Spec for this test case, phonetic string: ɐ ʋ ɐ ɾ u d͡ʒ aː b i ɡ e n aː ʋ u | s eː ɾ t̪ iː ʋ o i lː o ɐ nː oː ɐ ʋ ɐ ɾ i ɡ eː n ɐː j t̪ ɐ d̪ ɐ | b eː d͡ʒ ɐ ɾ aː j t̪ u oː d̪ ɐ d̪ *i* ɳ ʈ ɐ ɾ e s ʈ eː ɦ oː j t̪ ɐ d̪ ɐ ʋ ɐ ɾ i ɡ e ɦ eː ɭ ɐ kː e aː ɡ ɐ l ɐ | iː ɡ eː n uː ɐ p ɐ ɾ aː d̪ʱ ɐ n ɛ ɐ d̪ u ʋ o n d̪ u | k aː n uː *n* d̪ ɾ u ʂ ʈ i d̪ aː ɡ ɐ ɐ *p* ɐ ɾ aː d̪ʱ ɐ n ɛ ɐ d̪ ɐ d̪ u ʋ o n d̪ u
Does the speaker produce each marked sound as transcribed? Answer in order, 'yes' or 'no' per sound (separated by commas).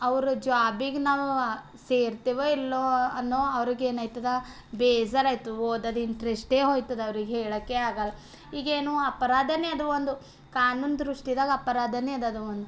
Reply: yes, yes, yes